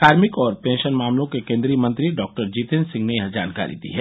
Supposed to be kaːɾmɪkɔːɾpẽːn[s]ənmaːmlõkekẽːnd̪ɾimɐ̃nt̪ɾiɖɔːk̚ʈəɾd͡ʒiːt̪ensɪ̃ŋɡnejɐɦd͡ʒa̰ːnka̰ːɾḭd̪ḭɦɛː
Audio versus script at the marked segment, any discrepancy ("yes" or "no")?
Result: yes